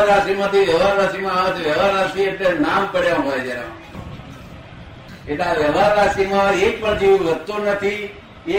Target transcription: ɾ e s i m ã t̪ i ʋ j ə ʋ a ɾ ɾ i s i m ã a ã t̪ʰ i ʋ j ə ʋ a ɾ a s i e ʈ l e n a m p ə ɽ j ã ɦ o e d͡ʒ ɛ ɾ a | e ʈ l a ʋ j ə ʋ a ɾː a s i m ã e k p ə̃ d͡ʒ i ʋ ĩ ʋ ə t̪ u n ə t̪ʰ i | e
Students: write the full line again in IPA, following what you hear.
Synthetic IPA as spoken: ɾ a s i m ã t̪ i ʋ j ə ʋ a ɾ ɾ a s i m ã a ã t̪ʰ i ʋ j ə ʋ a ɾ a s i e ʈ l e n a m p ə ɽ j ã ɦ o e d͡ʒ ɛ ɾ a | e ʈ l a ʋ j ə ʋ a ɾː a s i m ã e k p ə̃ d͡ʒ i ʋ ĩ ʋ ə t̪ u n ə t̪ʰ i | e